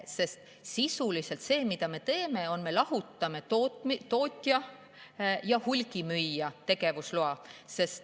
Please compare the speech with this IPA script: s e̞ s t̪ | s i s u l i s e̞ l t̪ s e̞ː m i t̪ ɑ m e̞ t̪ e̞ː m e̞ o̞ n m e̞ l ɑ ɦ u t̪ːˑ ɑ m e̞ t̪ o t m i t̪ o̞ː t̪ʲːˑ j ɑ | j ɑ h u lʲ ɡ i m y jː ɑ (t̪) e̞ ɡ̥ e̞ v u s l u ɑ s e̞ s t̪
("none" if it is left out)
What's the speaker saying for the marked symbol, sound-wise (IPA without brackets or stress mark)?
t̪